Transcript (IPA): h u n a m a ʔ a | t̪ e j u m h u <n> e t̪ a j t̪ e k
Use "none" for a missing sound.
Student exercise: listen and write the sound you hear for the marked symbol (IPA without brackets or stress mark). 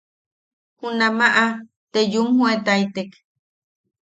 none